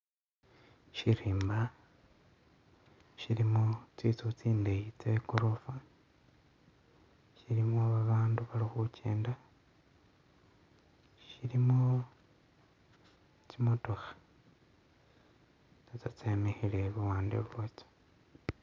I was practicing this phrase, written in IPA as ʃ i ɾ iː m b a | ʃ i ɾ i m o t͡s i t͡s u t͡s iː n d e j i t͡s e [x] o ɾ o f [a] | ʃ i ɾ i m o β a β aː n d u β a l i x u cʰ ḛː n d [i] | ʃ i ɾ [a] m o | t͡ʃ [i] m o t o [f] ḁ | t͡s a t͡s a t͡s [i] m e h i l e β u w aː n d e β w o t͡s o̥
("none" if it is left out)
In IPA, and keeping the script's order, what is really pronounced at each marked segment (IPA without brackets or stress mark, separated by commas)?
k, a, a, i, i, x, e